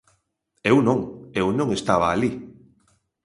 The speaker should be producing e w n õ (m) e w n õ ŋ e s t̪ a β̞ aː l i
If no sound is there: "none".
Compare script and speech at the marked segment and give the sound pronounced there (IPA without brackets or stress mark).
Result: ŋ